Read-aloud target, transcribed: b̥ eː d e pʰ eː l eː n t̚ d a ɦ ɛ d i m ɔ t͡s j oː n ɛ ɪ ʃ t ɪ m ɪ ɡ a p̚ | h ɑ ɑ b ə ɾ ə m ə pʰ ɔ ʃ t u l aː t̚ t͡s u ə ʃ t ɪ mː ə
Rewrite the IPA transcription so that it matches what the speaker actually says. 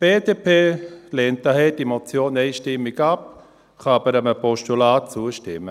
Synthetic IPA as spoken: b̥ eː d e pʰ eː l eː n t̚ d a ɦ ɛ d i m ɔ t͡s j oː n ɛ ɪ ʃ t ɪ m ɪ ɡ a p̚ | χ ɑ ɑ b ə ɾ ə m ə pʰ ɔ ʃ t u l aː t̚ t͡s u ə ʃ t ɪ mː ə